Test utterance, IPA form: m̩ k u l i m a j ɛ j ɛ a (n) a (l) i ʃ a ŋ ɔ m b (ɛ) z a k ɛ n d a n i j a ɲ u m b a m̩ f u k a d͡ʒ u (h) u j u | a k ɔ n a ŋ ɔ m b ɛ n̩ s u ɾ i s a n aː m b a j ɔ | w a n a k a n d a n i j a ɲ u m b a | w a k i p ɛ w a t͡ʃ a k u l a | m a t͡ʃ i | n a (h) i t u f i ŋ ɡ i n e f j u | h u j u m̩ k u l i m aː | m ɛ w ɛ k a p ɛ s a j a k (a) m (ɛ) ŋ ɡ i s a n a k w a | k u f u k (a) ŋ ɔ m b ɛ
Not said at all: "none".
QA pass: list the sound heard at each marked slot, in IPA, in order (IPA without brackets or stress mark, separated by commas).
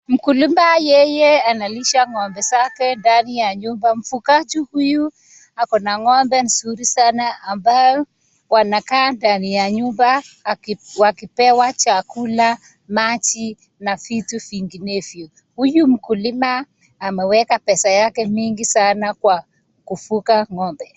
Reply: n, l, ɛ, h, f, ɛ, i, a